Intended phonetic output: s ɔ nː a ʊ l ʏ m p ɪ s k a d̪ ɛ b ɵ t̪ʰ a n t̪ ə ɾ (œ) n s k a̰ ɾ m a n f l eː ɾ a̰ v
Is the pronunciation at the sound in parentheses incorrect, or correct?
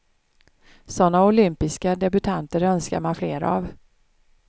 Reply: correct